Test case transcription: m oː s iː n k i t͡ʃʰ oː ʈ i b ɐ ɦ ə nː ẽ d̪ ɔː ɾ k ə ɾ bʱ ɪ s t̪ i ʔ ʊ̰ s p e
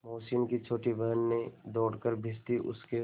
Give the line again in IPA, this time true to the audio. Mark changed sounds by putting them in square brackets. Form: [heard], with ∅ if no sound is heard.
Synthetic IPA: m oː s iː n k i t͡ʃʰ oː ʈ i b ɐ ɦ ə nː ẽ d̪ ɔː [ɽ] k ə ɾ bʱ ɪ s t̪ i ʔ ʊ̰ s [k] e